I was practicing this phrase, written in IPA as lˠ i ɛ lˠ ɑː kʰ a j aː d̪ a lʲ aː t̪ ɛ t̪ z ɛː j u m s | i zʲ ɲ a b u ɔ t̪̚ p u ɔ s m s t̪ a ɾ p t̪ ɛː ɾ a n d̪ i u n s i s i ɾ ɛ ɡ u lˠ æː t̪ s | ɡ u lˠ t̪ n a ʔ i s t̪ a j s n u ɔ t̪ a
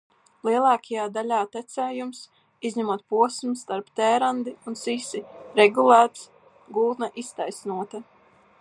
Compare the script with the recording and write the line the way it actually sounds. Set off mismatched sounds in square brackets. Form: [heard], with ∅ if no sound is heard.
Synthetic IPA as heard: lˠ i ɛ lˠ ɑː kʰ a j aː d̪ a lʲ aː t̪ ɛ t̪ [s] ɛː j u m s | i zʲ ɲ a [m] u ɔ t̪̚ p u ɔ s m s t̪ a ɾ p t̪ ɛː ɾ a n d̪ i u n s i s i ɾ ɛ ɡ u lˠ æː t̪ s | ɡ u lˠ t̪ n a ʔ i s t̪ a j s n u ɔ t̪ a